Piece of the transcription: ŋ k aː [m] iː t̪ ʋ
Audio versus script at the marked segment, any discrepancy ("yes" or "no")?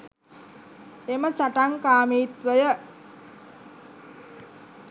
no